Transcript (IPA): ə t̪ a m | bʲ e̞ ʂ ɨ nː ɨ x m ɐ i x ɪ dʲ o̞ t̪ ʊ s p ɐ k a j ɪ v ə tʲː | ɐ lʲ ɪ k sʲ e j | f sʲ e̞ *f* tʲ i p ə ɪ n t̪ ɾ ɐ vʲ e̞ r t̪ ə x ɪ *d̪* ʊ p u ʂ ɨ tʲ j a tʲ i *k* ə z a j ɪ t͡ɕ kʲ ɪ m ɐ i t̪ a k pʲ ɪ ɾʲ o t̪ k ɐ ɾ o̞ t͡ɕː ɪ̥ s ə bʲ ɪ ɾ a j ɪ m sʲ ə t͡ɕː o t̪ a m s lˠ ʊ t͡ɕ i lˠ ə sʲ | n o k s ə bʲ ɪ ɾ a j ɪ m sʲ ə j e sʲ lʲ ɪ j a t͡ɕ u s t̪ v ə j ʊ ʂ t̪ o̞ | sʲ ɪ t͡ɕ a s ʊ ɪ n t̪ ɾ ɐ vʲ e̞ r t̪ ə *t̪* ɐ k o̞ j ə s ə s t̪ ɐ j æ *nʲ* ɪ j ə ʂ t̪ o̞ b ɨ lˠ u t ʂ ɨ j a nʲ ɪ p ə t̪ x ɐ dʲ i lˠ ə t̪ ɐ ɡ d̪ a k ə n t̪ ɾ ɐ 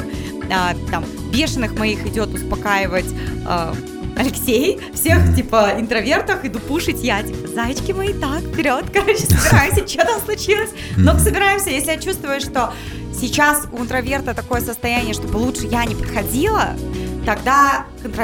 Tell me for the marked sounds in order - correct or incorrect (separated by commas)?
incorrect, correct, incorrect, correct, correct